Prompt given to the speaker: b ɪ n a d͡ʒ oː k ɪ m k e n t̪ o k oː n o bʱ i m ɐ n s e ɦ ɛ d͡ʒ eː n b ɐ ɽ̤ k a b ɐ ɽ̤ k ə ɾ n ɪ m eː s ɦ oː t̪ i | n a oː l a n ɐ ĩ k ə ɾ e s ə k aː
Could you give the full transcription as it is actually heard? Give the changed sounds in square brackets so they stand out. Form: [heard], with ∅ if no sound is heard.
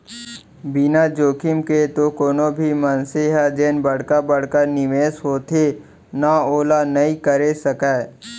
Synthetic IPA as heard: b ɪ n a d͡ʒ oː k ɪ m k e [∅] t̪ o k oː n o bʱ i m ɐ n s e ɦ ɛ d͡ʒ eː n b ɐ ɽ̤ k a b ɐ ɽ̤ k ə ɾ n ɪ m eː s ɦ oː t̪ [e] | n a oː l a n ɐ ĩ k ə ɾ e s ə k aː